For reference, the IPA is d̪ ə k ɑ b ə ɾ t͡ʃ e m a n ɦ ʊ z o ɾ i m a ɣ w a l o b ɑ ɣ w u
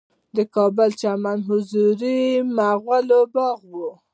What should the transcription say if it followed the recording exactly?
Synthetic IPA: d̪ ə k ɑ b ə l t͡ʃ a m a n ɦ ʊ z u ɾ i m a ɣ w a l o b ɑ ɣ w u